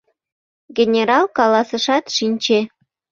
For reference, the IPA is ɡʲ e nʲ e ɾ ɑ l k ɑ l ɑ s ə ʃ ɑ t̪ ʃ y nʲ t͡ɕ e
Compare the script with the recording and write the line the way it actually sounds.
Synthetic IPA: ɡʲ e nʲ e ɾ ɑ l k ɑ l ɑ s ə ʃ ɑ t̪ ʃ i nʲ t͡ɕ e